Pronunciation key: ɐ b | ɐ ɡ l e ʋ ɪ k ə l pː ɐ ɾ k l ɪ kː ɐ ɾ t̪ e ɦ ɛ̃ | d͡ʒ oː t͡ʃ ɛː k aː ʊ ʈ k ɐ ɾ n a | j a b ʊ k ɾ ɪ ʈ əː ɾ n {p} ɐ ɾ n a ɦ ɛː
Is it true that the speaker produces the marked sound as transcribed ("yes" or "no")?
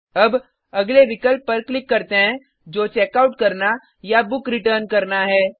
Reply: no